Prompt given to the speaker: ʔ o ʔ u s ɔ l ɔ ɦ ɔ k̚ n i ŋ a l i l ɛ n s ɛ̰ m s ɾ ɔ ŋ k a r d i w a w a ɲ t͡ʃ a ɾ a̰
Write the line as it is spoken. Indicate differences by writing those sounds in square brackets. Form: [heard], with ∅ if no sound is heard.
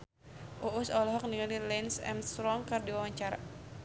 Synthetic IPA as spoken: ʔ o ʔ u s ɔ l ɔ ɦ ɔ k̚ n i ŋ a l i l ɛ n s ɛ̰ m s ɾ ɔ ŋ k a r d i w a w a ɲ t͡ʃ a ɾ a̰